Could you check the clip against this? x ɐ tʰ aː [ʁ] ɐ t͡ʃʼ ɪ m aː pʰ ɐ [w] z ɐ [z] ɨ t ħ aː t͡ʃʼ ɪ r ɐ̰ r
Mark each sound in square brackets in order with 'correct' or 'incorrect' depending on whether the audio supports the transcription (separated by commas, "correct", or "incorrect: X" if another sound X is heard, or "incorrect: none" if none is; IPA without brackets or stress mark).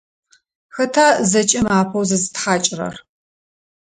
incorrect: z, correct, correct